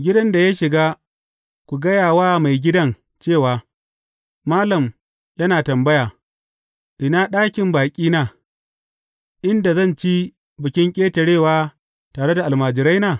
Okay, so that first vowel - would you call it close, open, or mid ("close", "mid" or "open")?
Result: close